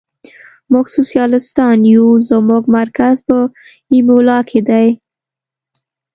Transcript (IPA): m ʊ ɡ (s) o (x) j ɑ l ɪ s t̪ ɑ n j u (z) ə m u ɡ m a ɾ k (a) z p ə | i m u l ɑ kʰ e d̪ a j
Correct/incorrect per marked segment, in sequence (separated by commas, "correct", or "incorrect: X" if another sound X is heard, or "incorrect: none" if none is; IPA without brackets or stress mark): correct, incorrect: s, correct, correct